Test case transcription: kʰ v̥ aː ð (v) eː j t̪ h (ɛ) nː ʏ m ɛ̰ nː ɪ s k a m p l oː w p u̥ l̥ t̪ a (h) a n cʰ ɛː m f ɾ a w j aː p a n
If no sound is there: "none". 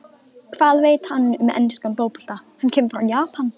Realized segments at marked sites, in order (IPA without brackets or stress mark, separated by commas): v, a, h